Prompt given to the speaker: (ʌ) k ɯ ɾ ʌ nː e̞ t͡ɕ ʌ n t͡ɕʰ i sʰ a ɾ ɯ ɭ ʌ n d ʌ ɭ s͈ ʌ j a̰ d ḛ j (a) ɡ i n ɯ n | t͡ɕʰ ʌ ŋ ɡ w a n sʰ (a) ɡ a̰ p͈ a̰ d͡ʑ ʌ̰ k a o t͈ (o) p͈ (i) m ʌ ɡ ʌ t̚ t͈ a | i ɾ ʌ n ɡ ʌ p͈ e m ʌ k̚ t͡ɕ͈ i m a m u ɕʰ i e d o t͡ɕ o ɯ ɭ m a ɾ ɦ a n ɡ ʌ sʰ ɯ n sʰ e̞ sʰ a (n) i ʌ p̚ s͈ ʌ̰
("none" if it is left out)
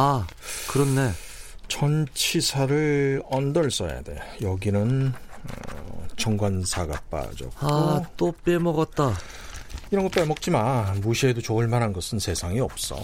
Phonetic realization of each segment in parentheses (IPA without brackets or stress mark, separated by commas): a, ʌ, a, o, e, ŋ